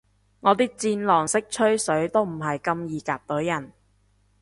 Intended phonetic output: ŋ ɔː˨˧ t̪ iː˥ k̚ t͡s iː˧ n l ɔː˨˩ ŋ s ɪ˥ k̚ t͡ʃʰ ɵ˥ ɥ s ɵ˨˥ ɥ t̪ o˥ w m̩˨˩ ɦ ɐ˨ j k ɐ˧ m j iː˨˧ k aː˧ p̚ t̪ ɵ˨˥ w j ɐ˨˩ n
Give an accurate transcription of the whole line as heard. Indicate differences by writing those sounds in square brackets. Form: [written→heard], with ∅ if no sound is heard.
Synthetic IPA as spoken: ŋ ɔː˨˧ t̪ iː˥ k̚ t͡s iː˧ n l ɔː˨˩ ŋ s ɪ˥ k̚ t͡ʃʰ ɵ˥ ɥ s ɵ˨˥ ɥ t̪ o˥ w m̩˨˩ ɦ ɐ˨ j k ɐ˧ m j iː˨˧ k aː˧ p̚ t̪ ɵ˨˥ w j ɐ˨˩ n